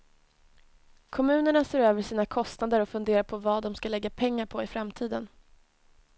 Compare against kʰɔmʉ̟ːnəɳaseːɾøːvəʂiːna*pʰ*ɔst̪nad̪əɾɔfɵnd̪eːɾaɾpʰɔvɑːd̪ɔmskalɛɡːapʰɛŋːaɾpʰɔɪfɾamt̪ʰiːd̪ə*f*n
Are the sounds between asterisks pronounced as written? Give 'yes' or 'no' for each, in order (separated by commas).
no, no